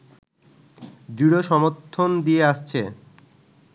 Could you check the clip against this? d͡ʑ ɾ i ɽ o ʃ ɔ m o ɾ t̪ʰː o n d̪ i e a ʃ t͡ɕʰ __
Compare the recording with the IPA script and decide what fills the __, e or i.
e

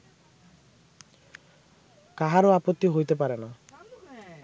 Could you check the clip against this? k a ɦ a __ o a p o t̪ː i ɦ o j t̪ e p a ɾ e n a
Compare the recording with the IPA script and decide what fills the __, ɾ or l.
ɾ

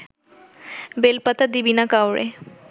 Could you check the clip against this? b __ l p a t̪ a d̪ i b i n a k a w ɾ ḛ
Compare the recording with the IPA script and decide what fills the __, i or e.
e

